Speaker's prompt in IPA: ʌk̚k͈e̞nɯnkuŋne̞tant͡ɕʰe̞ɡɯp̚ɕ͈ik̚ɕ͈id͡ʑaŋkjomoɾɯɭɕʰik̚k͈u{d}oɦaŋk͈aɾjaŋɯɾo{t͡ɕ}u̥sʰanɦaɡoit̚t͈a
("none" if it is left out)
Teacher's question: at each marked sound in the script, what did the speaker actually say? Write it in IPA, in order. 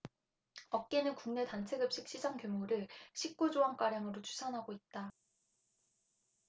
d͡ʑ, t͡ɕʰ

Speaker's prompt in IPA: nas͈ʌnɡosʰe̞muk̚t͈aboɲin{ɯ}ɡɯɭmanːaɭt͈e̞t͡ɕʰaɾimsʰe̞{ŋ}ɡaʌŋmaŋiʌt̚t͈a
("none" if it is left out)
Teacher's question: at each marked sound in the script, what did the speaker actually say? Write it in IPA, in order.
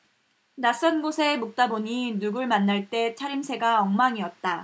u, none

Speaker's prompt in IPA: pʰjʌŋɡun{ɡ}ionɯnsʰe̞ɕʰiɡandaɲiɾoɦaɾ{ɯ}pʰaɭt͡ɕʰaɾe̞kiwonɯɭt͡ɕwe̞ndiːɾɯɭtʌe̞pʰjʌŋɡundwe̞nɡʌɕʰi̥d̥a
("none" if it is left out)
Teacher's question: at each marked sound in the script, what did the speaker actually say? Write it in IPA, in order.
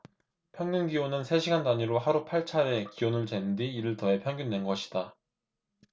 ɡ, u

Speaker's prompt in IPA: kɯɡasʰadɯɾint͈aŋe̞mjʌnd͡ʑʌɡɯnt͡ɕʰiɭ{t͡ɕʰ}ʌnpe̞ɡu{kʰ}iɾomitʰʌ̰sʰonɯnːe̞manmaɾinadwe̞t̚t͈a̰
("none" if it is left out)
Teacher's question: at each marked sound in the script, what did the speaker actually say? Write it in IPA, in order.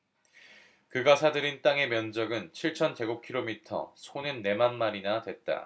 t͡ɕʰ, kʰ

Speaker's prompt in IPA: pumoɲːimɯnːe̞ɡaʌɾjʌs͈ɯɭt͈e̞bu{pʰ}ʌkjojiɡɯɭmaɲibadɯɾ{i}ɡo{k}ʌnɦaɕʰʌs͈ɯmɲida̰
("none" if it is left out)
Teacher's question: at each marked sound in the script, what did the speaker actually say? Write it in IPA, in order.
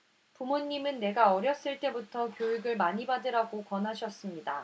tʰ, a, k

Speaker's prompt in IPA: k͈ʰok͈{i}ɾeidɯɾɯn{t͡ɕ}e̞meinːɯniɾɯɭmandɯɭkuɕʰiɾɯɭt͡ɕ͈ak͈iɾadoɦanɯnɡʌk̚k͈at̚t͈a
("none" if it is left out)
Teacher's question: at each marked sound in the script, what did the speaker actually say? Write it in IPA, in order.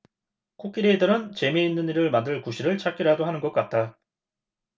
i, t͡ɕ

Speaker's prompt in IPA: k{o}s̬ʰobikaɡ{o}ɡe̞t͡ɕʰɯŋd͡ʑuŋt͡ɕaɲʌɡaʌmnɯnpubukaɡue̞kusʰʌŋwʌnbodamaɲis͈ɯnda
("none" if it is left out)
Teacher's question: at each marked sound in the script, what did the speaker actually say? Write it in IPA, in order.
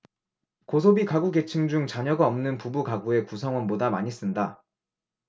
o, u

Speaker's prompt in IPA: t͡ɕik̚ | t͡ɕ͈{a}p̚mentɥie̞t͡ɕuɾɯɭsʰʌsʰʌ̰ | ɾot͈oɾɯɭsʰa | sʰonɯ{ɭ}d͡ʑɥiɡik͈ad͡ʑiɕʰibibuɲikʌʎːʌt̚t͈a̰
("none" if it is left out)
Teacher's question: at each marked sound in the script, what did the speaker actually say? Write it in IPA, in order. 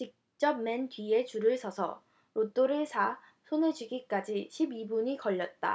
ʌ, ɭ

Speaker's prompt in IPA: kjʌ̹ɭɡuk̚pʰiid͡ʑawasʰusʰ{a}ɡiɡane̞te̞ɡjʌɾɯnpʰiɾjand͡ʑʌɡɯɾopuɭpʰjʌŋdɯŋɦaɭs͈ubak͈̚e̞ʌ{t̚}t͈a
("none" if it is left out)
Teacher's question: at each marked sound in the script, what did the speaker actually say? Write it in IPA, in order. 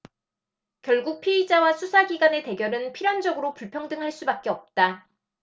a, p̚

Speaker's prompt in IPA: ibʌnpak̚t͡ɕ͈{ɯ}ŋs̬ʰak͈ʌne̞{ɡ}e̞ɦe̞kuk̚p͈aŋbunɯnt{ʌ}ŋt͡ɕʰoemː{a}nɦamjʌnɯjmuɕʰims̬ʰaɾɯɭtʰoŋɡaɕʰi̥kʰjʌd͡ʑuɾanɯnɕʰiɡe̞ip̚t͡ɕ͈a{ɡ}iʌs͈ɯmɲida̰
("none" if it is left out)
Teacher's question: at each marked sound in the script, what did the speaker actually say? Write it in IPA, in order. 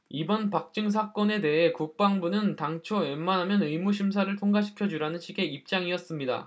ɯ, d, a, a, ŋ

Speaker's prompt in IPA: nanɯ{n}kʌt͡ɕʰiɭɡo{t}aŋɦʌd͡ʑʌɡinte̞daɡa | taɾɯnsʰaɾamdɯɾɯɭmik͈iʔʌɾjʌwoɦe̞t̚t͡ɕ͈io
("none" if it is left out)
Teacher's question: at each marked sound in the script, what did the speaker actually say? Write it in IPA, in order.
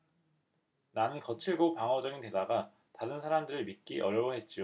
n, p

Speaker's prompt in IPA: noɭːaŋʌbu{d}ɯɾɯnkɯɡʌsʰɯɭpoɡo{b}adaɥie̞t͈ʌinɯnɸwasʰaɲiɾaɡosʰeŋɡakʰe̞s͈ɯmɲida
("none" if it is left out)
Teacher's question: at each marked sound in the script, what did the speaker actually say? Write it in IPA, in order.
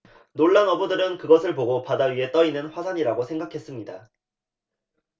d, p

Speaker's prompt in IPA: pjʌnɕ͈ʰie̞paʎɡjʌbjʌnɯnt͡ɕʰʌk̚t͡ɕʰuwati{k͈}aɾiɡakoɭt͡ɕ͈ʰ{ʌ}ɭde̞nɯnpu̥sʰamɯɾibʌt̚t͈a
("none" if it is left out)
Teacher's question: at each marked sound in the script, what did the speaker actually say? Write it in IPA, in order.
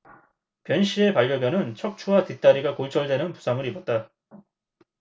t͈, ʌ

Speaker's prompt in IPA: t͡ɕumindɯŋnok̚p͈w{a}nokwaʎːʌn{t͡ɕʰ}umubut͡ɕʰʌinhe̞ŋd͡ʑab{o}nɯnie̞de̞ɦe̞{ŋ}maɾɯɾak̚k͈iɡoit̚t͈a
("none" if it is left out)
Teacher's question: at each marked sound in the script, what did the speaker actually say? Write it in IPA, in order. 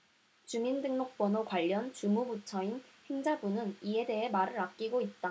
ʌ, t͡ɕ, u, none

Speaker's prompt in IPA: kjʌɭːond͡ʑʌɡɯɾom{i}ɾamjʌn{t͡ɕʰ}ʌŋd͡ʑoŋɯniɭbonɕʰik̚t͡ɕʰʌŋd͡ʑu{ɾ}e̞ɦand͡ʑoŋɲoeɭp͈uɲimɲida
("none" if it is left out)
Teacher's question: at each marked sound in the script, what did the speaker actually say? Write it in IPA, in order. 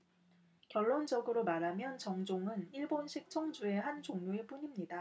a, t͡ɕ, none

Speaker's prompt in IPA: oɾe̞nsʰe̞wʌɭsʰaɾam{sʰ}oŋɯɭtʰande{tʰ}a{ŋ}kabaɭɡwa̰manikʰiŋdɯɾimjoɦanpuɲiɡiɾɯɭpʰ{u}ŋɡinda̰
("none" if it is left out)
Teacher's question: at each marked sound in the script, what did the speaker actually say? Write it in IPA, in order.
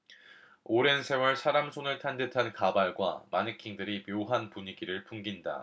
sʰ, tʰ, n, u

